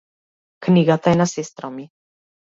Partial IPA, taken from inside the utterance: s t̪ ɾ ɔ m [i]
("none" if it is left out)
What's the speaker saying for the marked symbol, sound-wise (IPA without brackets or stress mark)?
i